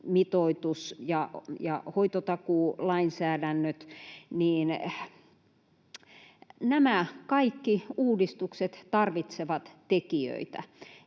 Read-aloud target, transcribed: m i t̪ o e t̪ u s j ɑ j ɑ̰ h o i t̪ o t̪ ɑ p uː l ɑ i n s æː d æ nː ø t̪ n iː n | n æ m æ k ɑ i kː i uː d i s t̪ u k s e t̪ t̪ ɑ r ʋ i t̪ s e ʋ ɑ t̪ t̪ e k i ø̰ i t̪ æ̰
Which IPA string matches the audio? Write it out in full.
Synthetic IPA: m i t̪ o i t̪ u s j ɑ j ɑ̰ h o i t̪ o t̪ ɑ k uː l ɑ i n s æː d æ nː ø t̪ n iː n | n æ m æ k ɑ i kː i uː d i s t̪ u k s e t̪ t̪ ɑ r ʋ i t̪ s e ʋ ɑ t̪ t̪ e k i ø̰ i t̪ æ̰